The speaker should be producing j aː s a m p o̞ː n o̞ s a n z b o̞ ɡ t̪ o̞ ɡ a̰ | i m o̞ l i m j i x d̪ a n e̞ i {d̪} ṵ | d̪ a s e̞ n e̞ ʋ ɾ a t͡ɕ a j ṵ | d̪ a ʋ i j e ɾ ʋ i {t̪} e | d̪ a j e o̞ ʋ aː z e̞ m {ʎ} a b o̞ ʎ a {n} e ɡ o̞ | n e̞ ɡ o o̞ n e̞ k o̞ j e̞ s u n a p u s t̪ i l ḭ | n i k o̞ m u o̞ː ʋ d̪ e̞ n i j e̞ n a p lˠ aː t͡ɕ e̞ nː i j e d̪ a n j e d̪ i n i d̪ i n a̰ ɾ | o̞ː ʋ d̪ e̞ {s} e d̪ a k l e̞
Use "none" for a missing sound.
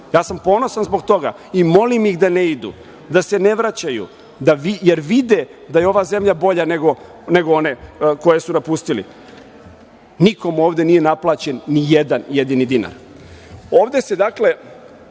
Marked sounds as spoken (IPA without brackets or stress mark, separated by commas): d̪, d̪, ʎ, n, s